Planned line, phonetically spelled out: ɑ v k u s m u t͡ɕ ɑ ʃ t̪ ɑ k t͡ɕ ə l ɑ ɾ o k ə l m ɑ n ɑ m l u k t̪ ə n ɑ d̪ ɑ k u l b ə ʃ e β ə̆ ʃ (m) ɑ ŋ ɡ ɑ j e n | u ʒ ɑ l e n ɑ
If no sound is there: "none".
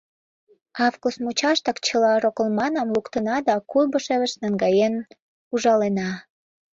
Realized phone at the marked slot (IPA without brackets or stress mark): n